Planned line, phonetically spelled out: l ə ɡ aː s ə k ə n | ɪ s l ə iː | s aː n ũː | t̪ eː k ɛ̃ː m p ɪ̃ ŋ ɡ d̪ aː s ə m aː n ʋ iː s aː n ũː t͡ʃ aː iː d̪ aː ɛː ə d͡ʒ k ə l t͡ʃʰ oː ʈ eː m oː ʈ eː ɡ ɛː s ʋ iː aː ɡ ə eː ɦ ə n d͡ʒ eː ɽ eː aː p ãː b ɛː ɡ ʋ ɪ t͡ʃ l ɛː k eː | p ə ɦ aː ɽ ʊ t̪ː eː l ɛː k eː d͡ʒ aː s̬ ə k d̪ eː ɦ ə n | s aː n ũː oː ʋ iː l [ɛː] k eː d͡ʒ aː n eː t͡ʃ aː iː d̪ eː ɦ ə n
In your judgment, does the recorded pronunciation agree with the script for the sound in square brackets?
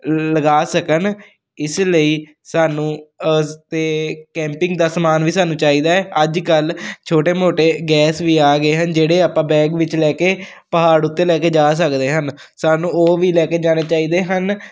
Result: yes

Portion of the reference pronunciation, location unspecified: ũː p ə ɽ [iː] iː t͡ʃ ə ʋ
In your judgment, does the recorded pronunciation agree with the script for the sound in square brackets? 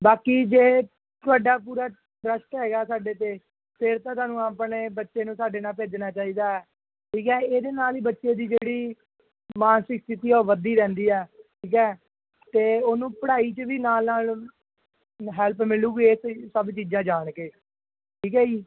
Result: no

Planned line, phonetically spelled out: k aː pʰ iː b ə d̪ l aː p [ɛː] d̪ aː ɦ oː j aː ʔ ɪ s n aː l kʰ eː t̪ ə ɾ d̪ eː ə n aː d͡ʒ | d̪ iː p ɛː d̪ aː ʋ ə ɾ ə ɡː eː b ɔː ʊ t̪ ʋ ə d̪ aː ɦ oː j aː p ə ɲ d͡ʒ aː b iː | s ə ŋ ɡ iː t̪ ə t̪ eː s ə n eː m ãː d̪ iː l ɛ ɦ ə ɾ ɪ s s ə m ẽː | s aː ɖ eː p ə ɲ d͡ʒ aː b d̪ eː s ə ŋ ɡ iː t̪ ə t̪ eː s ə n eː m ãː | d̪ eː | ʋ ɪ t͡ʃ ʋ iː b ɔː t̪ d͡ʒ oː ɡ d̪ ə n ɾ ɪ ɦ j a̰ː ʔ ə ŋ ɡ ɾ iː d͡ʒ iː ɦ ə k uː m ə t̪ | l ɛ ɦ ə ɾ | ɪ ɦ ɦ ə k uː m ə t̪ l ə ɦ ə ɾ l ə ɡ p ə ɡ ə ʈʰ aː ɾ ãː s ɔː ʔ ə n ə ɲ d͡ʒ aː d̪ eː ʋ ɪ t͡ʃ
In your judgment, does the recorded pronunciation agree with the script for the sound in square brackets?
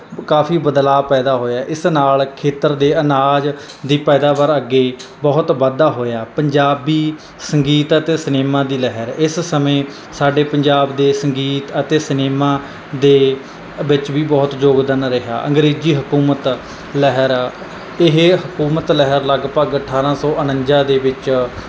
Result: yes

